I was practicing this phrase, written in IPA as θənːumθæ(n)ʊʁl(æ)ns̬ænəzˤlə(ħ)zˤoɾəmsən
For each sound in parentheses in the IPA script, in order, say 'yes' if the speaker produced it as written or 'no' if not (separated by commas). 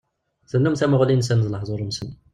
no, no, yes